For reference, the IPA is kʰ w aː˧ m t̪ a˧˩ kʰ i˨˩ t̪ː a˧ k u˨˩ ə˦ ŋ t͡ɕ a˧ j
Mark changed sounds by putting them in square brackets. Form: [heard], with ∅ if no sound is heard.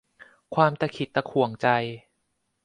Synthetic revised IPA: kʰ w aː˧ m t̪ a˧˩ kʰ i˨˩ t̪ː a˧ [kʰ] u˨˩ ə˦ ŋ t͡ɕ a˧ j